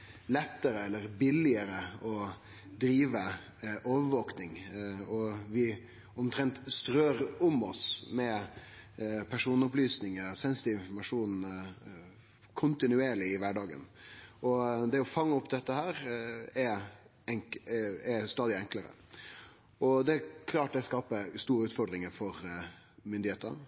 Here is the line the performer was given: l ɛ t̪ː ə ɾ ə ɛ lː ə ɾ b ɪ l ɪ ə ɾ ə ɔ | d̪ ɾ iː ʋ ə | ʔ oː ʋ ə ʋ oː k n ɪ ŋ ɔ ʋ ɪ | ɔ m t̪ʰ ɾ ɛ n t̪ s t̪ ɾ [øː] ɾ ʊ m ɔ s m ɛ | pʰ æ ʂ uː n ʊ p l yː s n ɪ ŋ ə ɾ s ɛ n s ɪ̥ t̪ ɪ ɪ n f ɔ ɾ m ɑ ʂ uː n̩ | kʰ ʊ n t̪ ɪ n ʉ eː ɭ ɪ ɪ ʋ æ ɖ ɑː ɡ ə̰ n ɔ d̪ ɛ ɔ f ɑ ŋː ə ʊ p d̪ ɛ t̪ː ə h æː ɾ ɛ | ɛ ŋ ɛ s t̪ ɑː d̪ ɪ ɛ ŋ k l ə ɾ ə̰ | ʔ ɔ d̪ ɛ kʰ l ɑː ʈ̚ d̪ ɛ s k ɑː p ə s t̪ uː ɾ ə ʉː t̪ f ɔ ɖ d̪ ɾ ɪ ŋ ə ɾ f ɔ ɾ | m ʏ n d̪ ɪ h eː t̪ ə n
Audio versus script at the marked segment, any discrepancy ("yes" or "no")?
no